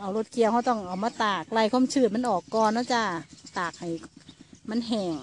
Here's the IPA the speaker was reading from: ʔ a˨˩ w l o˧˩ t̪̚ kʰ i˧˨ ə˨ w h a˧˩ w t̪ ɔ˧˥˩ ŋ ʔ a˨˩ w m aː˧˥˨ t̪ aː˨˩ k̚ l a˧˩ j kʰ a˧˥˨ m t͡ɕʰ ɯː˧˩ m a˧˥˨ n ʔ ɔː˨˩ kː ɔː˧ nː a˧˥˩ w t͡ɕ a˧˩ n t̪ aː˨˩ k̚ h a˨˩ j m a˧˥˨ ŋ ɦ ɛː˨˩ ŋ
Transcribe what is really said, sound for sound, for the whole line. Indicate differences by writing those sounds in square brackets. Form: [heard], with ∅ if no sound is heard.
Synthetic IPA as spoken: ʔ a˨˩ w l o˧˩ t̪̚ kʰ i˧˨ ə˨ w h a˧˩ w t̪ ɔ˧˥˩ ŋ ʔ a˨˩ w m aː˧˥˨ t̪ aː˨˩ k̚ l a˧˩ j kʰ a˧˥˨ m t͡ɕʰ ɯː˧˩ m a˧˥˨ n ʔ ɔː˨˩ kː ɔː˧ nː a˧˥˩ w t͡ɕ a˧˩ [∅] t̪ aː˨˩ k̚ h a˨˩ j m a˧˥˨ [n] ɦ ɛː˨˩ ŋ